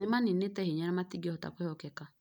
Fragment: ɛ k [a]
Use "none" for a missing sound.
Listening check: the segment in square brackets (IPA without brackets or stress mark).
a